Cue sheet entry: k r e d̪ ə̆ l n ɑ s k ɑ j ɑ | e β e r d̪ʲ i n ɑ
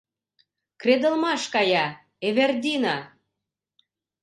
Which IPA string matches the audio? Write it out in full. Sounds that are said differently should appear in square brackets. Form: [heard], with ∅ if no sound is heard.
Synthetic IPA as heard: k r e d̪ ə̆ l [m] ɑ [ʃ] k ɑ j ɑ | e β e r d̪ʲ i n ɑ